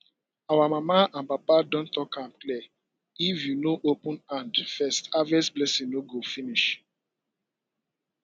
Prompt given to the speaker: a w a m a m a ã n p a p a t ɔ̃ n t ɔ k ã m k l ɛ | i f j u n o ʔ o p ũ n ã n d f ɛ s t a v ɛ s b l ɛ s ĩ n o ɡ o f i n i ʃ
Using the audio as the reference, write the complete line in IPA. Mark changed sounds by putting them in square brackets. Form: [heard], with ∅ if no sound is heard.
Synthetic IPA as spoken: a w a m a m a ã n p a p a [d] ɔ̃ n t ɔ k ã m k l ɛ | i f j u n o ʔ o p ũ n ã n d f ɛ s t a v ɛ s b l ɛ s ĩ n o ɡ o f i n i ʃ